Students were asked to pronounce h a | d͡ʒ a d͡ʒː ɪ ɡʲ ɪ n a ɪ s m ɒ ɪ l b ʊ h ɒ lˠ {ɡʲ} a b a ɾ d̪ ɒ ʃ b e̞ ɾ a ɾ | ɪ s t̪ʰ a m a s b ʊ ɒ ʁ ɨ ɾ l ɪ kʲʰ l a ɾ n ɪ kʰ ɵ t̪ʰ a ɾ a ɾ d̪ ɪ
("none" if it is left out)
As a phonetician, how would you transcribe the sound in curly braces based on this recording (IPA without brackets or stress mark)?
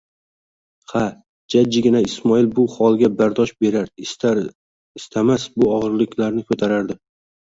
ɡʲ